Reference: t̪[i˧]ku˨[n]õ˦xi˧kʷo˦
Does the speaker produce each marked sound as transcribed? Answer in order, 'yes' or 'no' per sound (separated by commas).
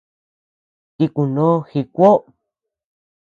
yes, yes